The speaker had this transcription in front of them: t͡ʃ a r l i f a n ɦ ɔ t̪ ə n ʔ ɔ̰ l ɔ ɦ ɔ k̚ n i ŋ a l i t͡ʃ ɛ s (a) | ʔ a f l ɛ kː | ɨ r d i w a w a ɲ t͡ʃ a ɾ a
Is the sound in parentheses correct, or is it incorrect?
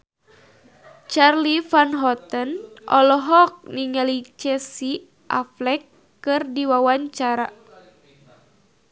incorrect